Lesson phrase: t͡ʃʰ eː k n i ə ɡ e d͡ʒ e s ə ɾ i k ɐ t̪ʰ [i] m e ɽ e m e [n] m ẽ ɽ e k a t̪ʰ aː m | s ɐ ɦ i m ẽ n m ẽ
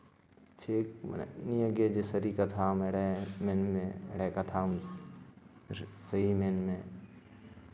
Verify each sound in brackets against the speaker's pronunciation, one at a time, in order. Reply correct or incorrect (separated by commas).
incorrect, correct